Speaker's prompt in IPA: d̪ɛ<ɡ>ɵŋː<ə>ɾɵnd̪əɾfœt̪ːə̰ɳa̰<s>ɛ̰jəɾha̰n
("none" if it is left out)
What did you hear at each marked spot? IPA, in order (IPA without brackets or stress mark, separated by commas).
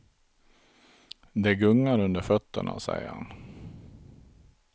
ɡ, a, s